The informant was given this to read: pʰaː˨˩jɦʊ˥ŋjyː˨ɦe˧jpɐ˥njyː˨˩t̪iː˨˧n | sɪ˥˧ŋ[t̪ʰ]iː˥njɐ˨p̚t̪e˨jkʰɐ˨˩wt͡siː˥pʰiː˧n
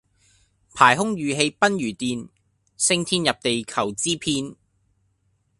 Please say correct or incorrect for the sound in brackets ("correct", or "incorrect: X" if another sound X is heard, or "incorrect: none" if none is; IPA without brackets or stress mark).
correct